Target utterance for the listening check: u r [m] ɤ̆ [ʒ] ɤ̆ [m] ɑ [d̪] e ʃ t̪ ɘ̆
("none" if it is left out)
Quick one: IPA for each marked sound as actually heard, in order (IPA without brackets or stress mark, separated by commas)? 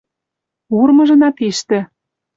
m, ʒ, n, t̪